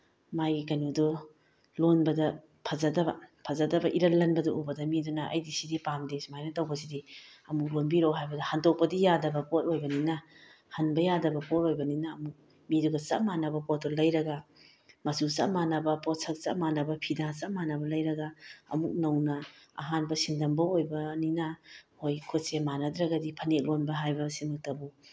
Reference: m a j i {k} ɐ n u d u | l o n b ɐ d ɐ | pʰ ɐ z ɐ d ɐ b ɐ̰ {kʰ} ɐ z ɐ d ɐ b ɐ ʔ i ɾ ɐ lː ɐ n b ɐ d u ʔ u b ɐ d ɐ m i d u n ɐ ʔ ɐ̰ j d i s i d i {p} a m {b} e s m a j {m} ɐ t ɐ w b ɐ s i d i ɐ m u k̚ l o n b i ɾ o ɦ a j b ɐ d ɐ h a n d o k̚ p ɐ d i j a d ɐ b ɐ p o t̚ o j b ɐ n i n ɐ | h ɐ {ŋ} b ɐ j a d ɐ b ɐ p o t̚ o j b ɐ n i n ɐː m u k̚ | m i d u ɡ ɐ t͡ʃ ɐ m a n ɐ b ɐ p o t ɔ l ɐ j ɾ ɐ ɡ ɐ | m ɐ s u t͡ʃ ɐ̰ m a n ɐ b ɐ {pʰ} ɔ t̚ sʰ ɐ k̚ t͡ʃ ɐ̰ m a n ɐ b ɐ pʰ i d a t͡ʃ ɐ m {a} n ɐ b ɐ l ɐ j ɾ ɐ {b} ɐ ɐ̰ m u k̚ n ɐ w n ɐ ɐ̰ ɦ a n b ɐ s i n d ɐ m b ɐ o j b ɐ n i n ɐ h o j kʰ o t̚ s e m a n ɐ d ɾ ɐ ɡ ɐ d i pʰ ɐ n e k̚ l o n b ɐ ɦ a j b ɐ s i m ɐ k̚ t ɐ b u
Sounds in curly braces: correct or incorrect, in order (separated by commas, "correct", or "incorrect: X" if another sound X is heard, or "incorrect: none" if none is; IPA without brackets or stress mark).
correct, incorrect: pʰ, correct, incorrect: d, incorrect: n, incorrect: n, incorrect: p, correct, incorrect: ɡ